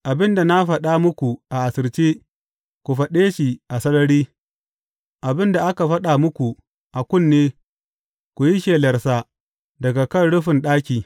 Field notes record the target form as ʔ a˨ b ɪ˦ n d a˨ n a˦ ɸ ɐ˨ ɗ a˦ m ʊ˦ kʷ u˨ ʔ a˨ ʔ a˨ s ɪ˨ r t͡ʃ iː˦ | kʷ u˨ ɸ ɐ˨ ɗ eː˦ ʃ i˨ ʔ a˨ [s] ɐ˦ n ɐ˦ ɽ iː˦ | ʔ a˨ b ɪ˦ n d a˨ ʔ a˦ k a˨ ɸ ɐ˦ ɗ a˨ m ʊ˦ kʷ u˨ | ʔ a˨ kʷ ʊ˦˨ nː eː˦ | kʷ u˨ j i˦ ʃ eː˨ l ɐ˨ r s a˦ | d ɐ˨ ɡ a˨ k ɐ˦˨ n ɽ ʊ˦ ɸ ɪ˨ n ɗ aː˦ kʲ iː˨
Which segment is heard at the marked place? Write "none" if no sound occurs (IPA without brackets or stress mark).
s